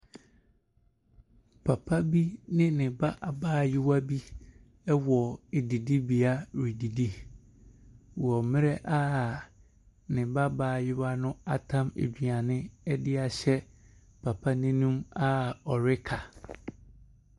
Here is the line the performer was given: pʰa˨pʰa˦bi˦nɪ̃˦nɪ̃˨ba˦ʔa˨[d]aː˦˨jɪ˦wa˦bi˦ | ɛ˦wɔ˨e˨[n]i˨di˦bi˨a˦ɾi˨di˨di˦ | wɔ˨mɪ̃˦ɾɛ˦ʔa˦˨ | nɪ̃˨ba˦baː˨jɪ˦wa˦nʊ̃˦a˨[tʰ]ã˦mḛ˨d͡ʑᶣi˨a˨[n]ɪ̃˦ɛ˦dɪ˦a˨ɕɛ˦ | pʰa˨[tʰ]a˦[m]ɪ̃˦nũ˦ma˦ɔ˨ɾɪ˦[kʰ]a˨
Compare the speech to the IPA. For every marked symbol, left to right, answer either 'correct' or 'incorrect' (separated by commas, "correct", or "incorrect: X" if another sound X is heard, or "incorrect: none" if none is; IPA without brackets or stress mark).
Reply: incorrect: b, incorrect: d, correct, correct, incorrect: pʰ, incorrect: n, correct